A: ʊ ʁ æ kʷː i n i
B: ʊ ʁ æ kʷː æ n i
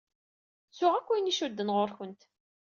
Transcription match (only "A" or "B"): A